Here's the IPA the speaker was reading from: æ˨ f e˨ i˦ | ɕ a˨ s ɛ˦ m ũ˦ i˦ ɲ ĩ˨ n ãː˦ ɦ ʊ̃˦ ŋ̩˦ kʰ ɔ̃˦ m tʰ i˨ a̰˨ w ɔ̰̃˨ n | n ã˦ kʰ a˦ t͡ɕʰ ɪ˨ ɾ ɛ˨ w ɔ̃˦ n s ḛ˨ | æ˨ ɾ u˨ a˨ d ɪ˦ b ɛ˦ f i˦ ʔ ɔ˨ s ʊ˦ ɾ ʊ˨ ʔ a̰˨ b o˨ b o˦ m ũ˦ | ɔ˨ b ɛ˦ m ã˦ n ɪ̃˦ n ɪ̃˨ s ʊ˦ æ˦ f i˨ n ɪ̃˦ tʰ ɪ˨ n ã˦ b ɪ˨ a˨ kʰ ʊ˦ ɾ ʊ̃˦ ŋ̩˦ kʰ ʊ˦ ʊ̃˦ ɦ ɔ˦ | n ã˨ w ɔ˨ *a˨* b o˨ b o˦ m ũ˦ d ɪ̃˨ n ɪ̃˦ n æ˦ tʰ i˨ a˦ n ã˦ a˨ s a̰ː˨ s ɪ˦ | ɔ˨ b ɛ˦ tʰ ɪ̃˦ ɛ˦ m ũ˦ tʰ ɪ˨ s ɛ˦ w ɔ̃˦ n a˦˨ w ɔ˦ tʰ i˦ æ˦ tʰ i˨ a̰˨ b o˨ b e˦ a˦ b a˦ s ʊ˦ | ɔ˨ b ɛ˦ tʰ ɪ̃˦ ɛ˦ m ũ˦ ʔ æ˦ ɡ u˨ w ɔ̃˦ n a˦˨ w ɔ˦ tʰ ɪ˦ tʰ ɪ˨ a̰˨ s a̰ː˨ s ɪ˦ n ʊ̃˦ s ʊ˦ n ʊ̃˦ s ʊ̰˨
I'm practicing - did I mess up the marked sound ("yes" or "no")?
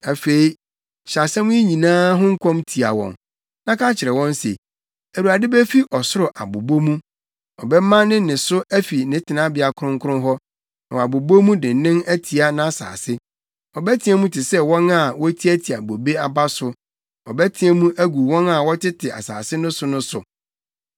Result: no